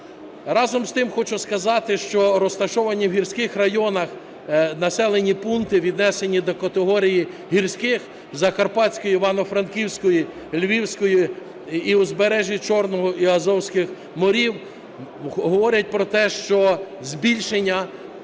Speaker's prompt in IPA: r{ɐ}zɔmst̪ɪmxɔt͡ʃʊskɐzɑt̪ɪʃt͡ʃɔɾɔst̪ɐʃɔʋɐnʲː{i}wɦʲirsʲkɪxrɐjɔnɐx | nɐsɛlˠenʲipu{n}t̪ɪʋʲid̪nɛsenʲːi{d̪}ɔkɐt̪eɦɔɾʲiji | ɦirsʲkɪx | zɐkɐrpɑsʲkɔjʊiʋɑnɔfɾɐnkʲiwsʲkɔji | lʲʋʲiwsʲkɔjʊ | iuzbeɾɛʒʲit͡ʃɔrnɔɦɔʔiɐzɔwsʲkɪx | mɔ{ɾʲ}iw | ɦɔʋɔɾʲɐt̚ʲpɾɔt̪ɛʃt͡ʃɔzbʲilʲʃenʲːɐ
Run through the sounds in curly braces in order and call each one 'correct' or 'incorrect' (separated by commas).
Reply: incorrect, correct, correct, correct, correct